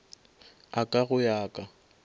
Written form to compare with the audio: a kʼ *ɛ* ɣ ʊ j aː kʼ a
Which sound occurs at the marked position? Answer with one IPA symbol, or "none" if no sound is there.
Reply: a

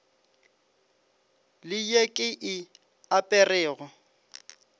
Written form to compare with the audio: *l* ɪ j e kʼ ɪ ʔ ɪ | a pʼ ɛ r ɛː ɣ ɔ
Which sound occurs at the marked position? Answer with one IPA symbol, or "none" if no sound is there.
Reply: l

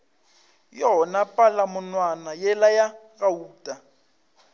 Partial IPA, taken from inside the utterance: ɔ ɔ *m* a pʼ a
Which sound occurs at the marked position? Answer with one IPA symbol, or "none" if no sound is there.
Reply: n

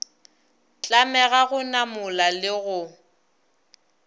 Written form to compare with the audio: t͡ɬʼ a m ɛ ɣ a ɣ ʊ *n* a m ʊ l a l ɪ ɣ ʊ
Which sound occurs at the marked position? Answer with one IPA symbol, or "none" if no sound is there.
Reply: n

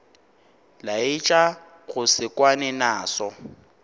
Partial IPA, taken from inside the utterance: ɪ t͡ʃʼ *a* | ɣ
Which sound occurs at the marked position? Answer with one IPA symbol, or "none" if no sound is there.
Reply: a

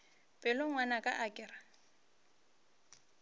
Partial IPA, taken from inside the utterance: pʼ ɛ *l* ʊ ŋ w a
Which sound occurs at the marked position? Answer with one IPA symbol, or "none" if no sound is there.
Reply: l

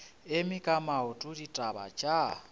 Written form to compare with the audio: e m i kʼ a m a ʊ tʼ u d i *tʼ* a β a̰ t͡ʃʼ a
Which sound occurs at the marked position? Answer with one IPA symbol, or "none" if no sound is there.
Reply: tʼ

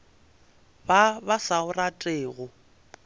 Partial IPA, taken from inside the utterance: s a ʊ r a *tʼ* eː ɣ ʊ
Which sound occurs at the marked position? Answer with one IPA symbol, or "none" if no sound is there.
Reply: tʼ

